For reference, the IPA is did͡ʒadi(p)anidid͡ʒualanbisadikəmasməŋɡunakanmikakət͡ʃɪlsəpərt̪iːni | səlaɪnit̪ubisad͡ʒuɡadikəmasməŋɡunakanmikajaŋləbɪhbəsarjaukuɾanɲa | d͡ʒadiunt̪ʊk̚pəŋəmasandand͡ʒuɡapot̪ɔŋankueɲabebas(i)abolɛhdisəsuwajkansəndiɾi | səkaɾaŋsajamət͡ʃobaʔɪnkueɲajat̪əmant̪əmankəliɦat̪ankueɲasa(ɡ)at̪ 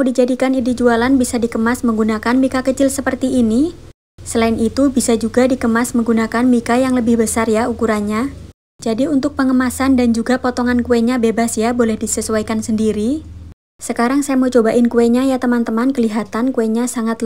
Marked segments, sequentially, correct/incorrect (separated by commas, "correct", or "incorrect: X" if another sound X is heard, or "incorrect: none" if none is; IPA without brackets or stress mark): incorrect: k, incorrect: j, incorrect: ŋ